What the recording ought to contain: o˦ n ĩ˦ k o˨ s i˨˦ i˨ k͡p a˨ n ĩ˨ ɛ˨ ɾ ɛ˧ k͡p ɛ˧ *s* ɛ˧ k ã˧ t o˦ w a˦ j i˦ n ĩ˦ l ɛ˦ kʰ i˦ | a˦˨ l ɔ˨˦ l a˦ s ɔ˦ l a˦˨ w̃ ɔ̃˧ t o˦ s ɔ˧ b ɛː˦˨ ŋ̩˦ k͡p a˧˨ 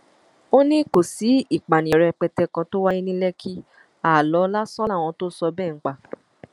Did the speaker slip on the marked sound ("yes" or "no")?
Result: yes